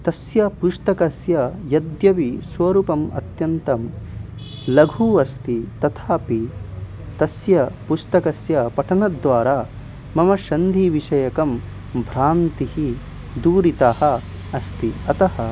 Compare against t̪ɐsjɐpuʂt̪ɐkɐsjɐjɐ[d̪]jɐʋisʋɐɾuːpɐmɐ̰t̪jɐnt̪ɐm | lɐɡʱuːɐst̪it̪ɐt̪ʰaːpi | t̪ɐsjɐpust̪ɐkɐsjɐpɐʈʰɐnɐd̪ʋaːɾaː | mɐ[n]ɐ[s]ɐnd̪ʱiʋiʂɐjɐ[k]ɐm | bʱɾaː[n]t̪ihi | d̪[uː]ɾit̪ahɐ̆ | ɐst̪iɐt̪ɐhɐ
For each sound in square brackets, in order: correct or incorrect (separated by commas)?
correct, incorrect, incorrect, correct, correct, correct